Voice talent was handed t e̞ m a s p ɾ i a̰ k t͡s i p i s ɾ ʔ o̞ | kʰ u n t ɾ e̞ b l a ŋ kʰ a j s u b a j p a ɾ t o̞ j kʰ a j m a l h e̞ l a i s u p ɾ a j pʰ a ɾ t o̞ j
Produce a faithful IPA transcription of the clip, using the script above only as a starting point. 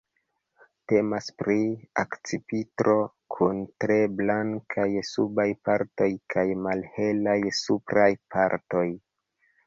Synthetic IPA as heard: t e̞ m a s p ɾ i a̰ k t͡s i p i t ɾ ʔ o̞ | kʰ u n t ɾ e̞ b l a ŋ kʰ a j s u b a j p a ɾ t o̞ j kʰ a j m a l h e̞ l a j s u p ɾ a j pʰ a ɾ t o̞ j